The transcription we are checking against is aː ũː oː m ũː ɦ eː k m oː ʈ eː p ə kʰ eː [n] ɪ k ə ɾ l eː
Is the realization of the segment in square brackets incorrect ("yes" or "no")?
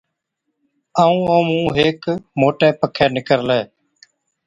no